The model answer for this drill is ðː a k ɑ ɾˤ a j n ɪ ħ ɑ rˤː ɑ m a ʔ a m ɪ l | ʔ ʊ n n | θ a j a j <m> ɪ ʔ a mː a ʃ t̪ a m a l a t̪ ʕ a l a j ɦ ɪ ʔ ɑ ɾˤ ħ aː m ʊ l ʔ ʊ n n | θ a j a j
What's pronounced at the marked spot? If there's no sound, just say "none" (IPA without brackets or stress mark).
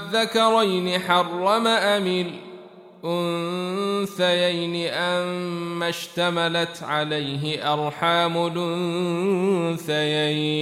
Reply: n